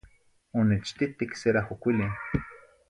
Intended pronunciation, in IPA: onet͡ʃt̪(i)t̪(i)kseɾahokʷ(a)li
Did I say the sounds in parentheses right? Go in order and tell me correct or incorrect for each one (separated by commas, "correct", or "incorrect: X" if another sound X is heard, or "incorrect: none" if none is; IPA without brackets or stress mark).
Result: correct, correct, incorrect: i